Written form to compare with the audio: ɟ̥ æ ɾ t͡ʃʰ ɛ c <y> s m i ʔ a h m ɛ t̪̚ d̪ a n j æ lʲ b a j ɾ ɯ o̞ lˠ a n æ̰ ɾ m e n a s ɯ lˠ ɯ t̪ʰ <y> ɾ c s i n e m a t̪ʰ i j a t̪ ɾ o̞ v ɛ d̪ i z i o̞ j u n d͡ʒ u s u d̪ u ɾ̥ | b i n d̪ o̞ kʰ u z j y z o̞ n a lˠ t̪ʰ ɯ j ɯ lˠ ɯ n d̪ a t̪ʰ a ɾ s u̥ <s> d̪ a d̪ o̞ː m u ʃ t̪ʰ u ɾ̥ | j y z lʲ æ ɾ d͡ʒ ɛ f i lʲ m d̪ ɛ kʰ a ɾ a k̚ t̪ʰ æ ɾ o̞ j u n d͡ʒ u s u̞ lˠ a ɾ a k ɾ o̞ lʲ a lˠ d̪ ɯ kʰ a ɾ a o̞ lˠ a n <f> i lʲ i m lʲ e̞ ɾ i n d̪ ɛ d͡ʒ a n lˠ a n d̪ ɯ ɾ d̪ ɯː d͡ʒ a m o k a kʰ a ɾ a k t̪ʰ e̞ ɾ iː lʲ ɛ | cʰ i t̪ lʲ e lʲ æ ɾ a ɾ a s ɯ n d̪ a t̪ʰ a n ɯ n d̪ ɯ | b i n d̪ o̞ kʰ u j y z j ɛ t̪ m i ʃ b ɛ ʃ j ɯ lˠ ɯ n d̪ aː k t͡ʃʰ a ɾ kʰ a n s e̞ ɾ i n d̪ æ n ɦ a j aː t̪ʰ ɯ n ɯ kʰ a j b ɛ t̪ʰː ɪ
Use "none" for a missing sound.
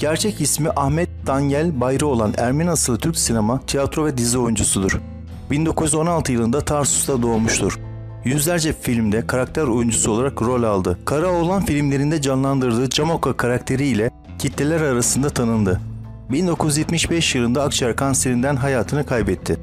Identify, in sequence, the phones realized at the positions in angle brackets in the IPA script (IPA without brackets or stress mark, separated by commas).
i, y, s, f